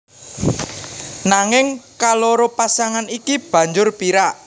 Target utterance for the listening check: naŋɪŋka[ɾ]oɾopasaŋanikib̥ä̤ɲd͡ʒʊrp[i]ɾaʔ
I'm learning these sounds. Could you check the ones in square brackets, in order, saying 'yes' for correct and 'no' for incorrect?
no, yes

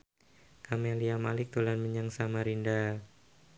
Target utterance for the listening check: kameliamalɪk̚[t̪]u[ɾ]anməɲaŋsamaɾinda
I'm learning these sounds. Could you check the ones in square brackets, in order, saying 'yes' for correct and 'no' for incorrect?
yes, no

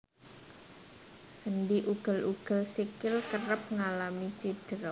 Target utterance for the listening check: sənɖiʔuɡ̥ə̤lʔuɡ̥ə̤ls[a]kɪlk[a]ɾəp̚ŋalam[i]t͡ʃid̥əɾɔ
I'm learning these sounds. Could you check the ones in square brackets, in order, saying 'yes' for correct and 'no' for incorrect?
no, no, yes

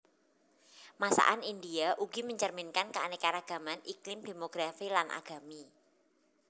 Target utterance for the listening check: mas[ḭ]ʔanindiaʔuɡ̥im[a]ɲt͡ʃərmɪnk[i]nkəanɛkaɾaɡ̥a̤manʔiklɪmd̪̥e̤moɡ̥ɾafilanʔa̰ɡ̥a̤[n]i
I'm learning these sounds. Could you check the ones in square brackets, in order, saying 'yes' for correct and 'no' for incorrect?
no, no, no, no

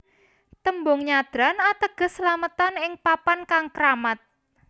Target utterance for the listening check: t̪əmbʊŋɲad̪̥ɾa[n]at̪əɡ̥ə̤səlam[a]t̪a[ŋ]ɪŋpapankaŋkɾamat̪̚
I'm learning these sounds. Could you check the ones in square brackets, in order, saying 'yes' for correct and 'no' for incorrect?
yes, no, no

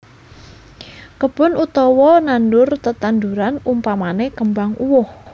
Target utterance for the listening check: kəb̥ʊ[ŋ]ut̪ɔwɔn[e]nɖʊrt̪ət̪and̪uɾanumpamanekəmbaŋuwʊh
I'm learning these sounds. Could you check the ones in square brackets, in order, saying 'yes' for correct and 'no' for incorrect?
no, no

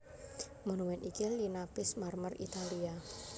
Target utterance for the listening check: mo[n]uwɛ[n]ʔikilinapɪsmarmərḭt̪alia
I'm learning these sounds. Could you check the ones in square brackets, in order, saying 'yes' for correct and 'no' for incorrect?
yes, yes

